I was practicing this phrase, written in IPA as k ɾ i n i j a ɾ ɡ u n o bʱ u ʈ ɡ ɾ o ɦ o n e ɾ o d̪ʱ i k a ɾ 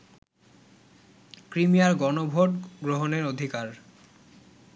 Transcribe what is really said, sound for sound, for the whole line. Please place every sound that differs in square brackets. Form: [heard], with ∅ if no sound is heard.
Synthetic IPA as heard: k ɾ i [m] i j a ɾ ɡ [ɔ] n o bʱ [o] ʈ ɡ ɾ o ɦ o n e ɾ o d̪ʱ i k a ɾ